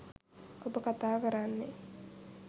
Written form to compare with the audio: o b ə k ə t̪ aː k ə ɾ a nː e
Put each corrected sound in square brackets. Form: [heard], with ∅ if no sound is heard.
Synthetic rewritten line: o b ə k [a] t̪ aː k ə ɾ a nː e

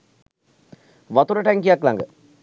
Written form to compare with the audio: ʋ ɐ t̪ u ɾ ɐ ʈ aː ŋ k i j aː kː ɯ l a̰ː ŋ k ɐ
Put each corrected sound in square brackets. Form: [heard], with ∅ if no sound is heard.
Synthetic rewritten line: ʋ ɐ t̪ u ɾ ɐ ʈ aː ŋ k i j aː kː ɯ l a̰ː ŋ [ɡ] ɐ

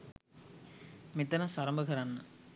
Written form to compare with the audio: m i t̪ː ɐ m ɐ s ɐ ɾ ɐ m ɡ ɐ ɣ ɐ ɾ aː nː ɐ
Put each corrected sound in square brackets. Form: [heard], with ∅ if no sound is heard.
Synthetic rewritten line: m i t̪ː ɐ [n] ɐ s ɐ ɾ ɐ m [b] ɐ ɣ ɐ ɾ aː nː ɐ

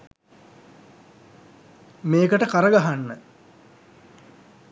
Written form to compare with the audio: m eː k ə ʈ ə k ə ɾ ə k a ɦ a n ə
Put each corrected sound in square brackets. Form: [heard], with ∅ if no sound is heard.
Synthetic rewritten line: m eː k ə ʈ ə k [a] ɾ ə [ɡ] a ɦ a [nː] ə

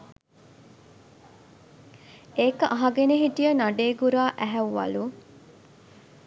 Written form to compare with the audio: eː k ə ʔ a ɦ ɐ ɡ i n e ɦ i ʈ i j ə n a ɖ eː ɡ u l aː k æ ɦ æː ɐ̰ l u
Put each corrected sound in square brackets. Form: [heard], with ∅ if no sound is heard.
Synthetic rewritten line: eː k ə ʔ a ɦ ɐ ɡ [e] n e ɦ i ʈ i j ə n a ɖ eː ɡ u [ɾ] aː [ʔ] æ ɦ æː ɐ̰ l u

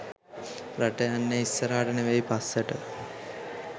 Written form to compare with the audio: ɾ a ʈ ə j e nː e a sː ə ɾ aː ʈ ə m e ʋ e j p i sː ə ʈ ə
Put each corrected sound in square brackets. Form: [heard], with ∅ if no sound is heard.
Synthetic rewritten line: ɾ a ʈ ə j [a] nː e [i] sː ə ɾ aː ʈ ə [n] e ʋ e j p [a] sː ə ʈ ə

